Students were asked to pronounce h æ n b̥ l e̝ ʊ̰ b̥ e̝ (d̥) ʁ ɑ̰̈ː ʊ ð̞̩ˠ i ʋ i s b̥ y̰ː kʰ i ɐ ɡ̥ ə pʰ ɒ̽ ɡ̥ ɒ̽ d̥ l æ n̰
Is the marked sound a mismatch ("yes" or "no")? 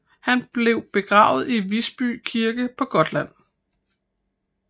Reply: yes